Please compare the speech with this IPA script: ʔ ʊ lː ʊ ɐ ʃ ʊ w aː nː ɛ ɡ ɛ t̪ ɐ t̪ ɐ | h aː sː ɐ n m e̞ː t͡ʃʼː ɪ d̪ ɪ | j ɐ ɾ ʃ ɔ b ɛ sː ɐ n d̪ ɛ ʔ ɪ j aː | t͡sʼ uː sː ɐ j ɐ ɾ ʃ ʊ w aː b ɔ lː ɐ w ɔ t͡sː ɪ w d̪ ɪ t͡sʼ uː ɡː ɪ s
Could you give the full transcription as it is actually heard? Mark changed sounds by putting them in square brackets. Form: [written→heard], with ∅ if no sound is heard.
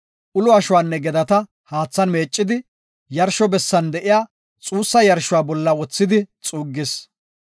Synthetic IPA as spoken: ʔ ʊ [lː→l] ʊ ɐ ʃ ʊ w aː nː ɛ ɡ ɛ [t̪→d̪] ɐ t̪ ɐ | h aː [sː→t͡sː] ɐ n m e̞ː t͡ʃʼː ɪ d̪ ɪ | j ɐ ɾ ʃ ɔ b ɛ sː ɐ n d̪ ɛ ʔ ɪ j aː | t͡sʼ uː sː ɐ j ɐ ɾ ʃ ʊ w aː b ɔ lː ɐ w ɔ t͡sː ɪ [w→∅] d̪ ɪ t͡sʼ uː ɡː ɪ s

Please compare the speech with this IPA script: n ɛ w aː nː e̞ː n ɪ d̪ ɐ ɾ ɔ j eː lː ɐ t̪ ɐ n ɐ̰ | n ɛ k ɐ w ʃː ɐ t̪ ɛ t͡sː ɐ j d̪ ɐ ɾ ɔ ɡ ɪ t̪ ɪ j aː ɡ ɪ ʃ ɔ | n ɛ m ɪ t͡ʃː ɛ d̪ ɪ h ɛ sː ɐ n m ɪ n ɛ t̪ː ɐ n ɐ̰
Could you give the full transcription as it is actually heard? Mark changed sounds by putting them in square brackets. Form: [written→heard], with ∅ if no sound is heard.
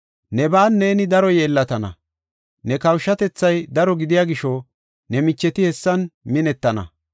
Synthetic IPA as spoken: n ɛ [w→b] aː nː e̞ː n ɪ d̪ ɐ ɾ ɔ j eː lː ɐ t̪ ɐ n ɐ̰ | n ɛ k ɐ w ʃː ɐ t̪ ɛ t͡sː ɐ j d̪ ɐ ɾ ɔ ɡ ɪ [t̪→d̪] ɪ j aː ɡ ɪ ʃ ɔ | n ɛ m ɪ t͡ʃː ɛ [d̪→t̪] ɪ h ɛ sː ɐ n m ɪ n ɛ t̪ː ɐ n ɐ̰

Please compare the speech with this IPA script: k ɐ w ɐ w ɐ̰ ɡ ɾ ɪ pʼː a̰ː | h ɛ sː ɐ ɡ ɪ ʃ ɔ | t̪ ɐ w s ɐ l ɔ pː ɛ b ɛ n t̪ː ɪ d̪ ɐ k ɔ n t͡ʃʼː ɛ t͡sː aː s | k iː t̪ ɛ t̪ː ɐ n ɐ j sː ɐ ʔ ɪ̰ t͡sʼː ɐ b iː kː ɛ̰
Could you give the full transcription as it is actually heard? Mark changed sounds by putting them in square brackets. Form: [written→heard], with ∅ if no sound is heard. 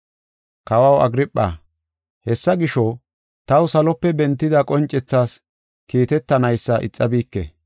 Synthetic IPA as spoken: k ɐ w ɐ w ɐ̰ ɡ ɾ ɪ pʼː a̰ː | h ɛ sː ɐ ɡ ɪ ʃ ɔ | t̪ ɐ w s ɐ l ɔ pː ɛ b ɛ n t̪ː ɪ d̪ ɐ [k→kʼ] ɔ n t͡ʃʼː ɛ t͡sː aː s | k iː t̪ ɛ t̪ː ɐ n ɐ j sː ɐ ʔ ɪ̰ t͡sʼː ɐ b iː kː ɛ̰

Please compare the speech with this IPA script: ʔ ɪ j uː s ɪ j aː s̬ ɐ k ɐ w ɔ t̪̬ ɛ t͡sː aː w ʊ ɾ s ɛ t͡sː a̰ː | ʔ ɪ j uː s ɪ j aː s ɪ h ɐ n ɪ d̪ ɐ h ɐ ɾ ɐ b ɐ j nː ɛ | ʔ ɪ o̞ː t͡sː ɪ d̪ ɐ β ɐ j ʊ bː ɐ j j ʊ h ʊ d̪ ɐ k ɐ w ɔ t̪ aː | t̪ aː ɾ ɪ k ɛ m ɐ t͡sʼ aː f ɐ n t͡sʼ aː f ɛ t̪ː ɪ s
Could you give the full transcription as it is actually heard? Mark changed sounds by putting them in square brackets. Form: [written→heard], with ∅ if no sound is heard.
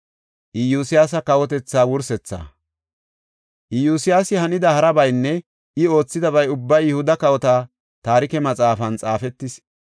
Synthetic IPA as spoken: ʔ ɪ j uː s ɪ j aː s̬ ɐ k ɐ w ɔ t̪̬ ɛ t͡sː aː w ʊ ɾ s ɛ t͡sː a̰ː | ʔ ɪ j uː s ɪ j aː s ɪ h ɐ n ɪ d̪ ɐ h ɐ ɾ ɐ b ɐ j nː ɛ | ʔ ɪ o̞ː t͡sː ɪ d̪ ɐ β ɐ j ʊ bː ɐ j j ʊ h ʊ d̪ ɐ k ɐ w ɔ t̪ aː | t̪ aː ɾ ɪ k ɛ m ɐ t͡sʼ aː f ɐ n t͡sʼ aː f ɛ t̪ː ɪ s

